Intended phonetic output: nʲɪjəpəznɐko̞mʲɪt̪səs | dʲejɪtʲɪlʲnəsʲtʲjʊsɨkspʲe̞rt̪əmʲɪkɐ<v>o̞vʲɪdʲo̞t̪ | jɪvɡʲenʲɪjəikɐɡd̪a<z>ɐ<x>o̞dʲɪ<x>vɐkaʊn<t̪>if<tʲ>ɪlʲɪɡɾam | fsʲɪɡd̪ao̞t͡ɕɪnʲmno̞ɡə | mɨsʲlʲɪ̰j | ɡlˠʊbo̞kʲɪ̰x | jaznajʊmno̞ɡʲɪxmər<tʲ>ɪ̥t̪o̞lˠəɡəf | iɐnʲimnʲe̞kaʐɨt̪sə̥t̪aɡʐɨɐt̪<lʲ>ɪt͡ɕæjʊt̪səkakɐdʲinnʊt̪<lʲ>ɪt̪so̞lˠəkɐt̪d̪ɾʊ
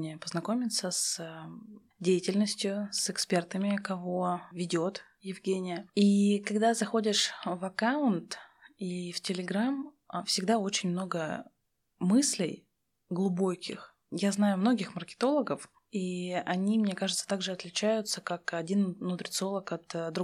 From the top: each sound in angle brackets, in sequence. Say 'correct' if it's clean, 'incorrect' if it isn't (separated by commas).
correct, correct, correct, incorrect, correct, correct, incorrect, correct, incorrect